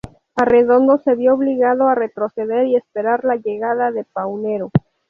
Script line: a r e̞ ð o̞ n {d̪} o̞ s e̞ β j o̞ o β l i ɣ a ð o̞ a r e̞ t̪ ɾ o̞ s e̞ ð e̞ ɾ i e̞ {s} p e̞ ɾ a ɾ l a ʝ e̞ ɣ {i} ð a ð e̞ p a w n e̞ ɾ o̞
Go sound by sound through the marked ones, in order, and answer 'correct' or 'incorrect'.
correct, correct, incorrect

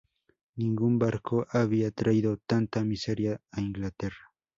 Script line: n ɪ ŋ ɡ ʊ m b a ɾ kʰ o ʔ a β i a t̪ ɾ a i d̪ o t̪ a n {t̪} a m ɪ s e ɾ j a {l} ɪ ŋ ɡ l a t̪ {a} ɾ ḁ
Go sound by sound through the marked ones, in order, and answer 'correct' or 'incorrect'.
correct, incorrect, incorrect

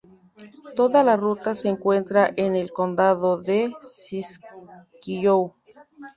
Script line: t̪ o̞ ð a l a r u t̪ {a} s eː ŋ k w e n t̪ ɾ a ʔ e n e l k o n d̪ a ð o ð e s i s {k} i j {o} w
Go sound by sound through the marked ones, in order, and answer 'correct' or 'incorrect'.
correct, correct, correct

